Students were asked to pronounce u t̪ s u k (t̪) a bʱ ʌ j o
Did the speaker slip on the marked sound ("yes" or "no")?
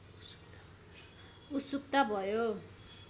no